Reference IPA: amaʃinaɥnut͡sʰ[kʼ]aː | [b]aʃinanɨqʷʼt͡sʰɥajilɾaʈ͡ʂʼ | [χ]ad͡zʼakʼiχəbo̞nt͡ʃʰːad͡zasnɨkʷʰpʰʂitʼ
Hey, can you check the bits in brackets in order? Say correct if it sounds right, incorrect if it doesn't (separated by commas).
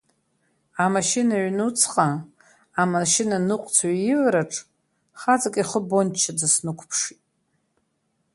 incorrect, incorrect, correct